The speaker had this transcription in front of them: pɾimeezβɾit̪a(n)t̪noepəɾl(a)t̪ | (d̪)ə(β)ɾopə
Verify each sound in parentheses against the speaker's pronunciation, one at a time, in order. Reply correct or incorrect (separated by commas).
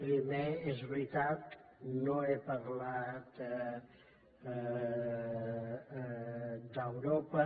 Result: incorrect, correct, correct, incorrect